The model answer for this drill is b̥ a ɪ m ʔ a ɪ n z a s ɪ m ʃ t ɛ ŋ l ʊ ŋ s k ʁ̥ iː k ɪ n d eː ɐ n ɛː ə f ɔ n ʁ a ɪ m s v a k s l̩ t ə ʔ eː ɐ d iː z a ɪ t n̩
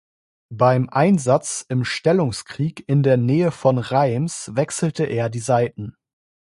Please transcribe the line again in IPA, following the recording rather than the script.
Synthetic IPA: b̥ a ɪ m ʔ a ɪ n z a t͡s ɪ m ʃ t ɛ l ʊ ŋ s k ʁ̥ iː k ɪ n d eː ɐ n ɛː ə f ɔ n ʁ a ɪ m s v ɛ k s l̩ t ə ʔ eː ɐ d iː z a ɪ t n̩